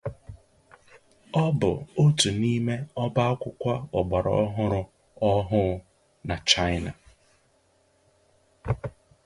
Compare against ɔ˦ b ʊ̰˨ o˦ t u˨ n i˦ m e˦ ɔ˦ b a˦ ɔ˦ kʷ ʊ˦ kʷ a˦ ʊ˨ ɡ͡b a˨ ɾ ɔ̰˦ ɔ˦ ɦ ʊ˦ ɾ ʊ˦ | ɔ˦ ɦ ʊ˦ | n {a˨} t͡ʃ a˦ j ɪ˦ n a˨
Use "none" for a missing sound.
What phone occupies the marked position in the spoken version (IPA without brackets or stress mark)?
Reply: a˨